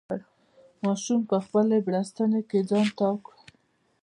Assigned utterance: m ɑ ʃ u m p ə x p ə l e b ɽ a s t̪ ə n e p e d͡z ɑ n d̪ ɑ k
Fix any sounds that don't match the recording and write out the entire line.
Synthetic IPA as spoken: m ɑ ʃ u m p ə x p ə l e b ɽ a s t̪ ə n e k e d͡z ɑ n t̪ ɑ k